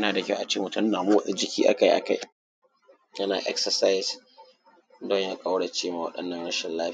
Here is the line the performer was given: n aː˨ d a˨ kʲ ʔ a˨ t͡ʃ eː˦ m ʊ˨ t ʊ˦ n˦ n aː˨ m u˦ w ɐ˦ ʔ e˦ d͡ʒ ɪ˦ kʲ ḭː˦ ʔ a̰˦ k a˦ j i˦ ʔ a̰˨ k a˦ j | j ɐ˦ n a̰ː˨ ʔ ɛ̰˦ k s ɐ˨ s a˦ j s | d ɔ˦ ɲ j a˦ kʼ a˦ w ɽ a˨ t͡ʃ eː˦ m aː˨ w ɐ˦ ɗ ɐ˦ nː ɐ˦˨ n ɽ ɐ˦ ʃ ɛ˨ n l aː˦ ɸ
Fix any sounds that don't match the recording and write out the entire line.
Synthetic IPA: n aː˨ d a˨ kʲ ʔ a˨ t͡ʃ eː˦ m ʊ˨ t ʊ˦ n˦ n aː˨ m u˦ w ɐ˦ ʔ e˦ d͡ʒ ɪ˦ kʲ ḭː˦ ʔ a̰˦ k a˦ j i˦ ʔ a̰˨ k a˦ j | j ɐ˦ n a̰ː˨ ʔ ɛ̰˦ k s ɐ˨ s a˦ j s | d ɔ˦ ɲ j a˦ kʼ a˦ w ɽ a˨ t͡ʃ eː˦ m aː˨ w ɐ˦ ɗ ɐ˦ nː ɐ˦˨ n ɽ ɐ˦ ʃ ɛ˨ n l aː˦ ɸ